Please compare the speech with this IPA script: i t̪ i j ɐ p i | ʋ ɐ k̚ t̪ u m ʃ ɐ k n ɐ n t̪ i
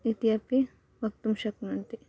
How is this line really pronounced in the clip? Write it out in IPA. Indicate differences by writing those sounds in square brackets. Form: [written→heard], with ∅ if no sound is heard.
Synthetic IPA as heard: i t̪ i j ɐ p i | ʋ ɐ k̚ t̪ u m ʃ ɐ k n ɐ n t̪ i